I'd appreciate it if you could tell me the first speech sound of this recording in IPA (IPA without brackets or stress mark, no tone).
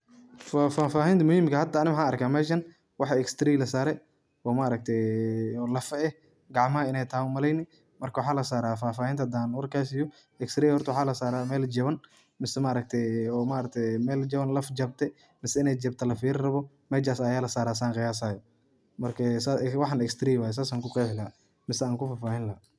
f